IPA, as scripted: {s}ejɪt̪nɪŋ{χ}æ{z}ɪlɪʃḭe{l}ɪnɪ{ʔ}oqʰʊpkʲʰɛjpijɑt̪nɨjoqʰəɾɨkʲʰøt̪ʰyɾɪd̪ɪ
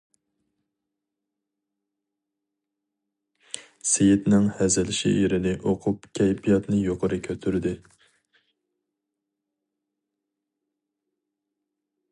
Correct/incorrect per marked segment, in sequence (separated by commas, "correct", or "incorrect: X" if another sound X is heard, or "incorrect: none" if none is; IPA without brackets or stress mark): correct, incorrect: h, correct, incorrect: ɾ, correct